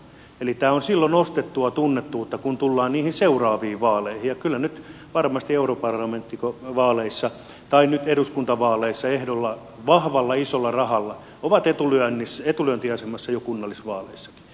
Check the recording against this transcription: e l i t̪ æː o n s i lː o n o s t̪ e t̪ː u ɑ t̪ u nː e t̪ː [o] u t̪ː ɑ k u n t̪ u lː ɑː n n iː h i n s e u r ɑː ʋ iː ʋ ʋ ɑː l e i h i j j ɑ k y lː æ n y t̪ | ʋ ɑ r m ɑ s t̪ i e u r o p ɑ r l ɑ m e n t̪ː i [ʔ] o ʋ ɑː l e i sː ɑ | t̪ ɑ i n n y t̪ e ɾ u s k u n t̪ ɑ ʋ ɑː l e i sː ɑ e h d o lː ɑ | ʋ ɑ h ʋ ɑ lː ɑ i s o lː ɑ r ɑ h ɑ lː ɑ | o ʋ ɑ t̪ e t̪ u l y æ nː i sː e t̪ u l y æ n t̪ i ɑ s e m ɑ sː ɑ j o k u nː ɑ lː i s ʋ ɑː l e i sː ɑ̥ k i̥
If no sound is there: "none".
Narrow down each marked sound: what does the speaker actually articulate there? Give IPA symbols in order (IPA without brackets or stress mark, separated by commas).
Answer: u, k